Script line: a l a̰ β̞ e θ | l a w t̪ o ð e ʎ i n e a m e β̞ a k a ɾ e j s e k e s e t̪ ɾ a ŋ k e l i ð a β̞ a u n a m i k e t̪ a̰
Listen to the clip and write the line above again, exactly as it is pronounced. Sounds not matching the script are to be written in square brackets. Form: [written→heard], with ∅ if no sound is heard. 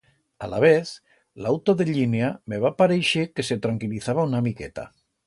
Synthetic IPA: a l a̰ β̞ e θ | l a w t̪ o ð e ʎ i n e a m e β̞ a [k→p] a ɾ e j [s→ʃ] e k e s e t̪ ɾ a ŋ k [e→i] l i [ð→θ] a β̞ a u n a m i k e t̪ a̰